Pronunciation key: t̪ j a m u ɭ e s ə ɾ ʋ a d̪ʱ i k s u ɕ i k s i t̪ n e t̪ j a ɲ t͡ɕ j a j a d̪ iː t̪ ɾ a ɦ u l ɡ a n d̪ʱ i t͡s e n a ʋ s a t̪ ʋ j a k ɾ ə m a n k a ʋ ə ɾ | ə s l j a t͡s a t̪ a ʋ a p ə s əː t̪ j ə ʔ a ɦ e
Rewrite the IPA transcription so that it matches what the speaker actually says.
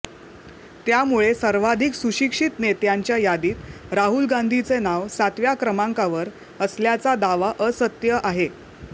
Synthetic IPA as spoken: t̪ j a m u ɭ e s ə ɾ ʋ a d̪ʱ i k s u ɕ i k ʂ i t̪ n e t̪ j a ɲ t͡ɕ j a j a d̪ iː t̪ ɾ a ɦ u l ɡ a n d̪ʱ i t͡s e n a ʋ s a t̪ ʋ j a k ɾ ə m a ŋ k a ʋ ə ɾ | ə s l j a t͡s a d̪ a ʋ a ʔ ə s ə t̪ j ə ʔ a ɦ e